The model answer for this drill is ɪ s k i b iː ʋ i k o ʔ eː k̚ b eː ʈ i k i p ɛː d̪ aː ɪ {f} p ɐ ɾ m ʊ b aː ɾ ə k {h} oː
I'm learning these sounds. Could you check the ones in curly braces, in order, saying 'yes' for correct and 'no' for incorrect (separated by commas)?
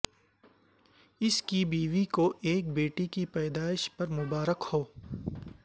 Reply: no, yes